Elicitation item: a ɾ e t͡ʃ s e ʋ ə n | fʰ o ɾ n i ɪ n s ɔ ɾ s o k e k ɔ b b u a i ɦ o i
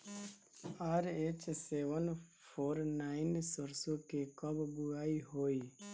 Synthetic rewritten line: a ɾ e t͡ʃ s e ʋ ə n | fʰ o ɾ n a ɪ n s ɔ ɾ s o k e k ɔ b b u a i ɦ o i